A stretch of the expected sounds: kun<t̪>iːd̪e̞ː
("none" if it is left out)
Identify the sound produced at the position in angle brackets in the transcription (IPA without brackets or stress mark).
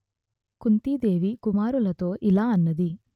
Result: t̪